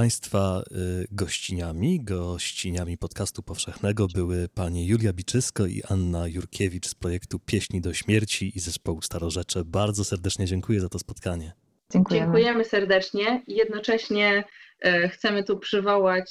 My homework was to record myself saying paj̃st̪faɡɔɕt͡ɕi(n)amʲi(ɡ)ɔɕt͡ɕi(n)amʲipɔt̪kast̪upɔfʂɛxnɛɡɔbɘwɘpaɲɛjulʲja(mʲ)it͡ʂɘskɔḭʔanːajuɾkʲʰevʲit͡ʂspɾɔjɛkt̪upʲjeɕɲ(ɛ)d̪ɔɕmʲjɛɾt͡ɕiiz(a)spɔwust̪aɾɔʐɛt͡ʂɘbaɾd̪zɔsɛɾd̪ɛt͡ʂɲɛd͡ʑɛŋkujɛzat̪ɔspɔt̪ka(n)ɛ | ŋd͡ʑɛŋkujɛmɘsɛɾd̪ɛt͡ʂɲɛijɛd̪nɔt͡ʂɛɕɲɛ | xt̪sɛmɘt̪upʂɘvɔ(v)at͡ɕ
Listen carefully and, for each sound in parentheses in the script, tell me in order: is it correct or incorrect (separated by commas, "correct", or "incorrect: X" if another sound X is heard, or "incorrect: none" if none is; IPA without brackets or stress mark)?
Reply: incorrect: ɲ, correct, incorrect: ɲ, incorrect: bʲ, incorrect: i, incorrect: ɛ, incorrect: ɲ, incorrect: w